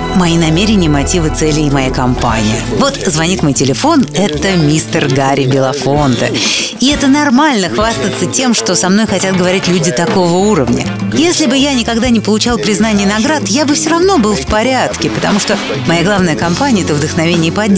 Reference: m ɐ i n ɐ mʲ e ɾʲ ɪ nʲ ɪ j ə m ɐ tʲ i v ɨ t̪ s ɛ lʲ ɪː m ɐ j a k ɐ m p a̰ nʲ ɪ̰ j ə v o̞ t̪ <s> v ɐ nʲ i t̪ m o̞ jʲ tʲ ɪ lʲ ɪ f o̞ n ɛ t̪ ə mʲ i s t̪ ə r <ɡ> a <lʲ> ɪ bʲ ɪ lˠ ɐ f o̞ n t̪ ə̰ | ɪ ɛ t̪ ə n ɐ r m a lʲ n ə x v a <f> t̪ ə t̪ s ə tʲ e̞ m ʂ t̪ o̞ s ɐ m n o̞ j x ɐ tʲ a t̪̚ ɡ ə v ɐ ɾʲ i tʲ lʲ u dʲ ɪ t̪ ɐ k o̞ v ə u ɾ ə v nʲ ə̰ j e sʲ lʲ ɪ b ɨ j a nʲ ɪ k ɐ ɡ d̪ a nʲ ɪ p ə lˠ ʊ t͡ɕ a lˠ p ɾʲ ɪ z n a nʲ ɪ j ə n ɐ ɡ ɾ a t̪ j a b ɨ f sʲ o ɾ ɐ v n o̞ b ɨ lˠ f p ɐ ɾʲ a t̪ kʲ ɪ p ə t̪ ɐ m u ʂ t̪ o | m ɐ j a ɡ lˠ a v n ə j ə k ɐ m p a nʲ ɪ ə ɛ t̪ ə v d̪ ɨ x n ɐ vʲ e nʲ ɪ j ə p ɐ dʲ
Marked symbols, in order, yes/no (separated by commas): no, yes, no, no